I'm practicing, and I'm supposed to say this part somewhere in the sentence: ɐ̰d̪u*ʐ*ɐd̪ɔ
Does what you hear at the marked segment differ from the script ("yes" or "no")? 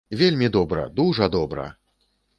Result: no